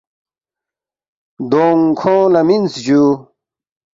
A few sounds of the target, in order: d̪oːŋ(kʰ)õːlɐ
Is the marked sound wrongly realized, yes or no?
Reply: no